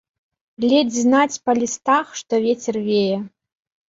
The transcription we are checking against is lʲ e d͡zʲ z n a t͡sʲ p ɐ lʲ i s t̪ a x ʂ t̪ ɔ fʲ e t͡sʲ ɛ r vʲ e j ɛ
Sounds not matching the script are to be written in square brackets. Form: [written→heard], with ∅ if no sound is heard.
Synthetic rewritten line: lʲ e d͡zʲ z n a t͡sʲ p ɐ lʲ i s t̪ a x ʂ t̪ ɔ [fʲ→vʲ] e t͡sʲ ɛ r vʲ e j ɛ